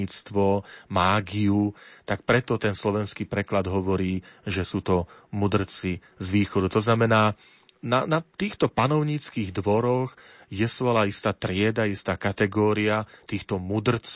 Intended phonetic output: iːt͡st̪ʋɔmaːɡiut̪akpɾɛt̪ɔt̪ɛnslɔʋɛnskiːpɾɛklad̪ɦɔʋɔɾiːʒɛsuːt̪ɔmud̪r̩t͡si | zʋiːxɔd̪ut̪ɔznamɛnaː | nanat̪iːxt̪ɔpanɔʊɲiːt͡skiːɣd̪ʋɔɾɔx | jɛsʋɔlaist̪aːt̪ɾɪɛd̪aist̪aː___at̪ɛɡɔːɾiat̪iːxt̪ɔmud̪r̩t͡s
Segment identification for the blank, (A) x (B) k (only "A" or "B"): B